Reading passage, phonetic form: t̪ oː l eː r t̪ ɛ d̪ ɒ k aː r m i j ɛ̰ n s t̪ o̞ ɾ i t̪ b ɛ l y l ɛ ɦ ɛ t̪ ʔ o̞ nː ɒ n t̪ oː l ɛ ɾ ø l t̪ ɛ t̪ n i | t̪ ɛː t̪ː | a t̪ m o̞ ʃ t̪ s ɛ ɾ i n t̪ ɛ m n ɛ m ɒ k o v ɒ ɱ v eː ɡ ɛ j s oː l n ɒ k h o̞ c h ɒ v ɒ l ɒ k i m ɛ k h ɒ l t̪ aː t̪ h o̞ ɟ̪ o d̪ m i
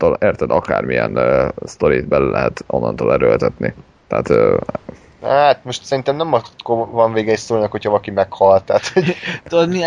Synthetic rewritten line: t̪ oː l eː r t̪ ɛ d̪ ɒ k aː r m i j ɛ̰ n s t̪ o̞ ɾ i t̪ b ɛ l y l ɛ ɦ ɛ t̪ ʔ o̞ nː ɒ n t̪ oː l ɛ ɾ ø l t̪ ɛ t̪ n i | t̪ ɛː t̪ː | a t̪ m o̞ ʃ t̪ s ɛ ɾ i n t̪ ɛ m n ɛ m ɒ k o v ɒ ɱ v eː ɡ ɛ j s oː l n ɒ k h o̞ c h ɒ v ɒ l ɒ k i m ɛ k h ɒ l t̪ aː t̪ h o̞ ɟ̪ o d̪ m i